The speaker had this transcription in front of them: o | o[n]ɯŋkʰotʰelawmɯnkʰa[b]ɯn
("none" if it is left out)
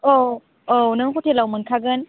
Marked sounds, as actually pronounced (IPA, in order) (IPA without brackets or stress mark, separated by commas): n, ɡ